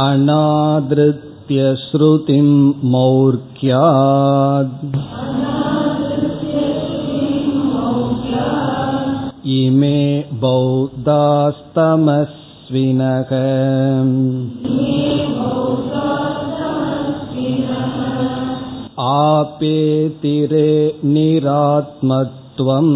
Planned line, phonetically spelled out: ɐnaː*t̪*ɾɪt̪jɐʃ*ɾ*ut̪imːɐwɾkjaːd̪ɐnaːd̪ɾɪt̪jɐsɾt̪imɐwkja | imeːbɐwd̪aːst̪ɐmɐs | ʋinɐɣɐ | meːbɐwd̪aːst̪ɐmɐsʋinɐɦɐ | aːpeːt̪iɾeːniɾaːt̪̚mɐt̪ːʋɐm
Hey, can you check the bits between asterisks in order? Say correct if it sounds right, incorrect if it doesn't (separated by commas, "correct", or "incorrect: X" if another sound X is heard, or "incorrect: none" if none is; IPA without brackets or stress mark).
incorrect: d̪, correct